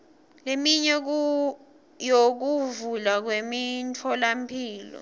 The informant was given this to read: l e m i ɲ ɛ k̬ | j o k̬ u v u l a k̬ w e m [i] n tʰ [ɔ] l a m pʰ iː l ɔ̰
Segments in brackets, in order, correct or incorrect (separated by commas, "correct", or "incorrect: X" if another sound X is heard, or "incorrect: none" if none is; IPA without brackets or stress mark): correct, correct